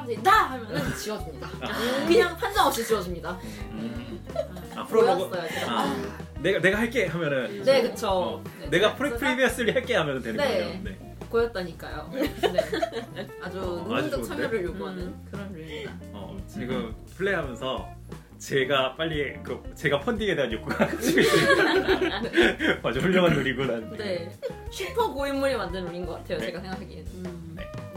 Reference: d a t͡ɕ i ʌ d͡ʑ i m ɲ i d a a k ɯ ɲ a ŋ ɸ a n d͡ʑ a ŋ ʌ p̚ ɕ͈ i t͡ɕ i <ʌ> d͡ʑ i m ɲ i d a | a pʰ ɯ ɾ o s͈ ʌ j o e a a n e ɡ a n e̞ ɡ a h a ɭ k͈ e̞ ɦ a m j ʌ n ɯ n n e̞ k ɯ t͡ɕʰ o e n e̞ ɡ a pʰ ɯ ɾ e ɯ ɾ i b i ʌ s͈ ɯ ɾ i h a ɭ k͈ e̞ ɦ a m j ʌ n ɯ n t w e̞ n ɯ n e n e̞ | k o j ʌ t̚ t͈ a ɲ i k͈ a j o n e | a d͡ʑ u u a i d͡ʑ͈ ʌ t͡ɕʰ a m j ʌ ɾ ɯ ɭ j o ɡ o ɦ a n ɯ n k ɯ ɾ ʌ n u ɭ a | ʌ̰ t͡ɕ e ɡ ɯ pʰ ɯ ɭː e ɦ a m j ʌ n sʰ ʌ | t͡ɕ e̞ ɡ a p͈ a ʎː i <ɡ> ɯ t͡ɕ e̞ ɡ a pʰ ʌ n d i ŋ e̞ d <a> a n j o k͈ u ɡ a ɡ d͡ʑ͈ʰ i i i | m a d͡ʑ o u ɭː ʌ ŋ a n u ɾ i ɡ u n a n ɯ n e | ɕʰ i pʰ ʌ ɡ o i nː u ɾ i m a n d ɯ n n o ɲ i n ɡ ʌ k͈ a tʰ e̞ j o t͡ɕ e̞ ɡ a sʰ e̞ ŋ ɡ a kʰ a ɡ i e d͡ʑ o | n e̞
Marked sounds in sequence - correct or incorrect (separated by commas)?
correct, incorrect, incorrect